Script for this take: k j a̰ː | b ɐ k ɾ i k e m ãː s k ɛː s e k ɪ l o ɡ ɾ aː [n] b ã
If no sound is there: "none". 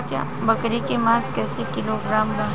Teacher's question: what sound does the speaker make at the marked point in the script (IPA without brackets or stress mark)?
m